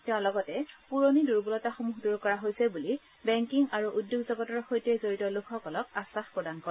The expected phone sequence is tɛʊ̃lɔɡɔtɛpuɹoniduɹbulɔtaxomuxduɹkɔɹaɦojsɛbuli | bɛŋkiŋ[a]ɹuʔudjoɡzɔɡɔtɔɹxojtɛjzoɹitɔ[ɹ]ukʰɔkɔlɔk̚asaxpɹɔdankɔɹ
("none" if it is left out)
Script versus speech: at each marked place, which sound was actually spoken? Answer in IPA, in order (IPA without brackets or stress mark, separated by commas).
a, l